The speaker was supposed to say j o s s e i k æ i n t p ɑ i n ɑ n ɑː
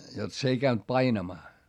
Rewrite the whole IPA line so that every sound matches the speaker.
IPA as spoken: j o t s e i k æ y n t p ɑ i n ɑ m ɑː